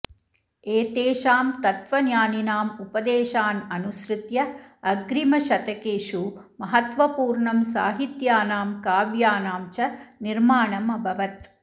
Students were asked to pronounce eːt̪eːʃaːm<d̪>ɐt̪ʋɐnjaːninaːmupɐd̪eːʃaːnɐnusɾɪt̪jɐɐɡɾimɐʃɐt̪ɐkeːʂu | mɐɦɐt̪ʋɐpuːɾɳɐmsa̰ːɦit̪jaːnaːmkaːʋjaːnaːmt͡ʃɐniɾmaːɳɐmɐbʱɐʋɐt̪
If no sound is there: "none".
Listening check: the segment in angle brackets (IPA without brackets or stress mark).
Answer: t̪